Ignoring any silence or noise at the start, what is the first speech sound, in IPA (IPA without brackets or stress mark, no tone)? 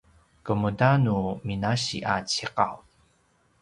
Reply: k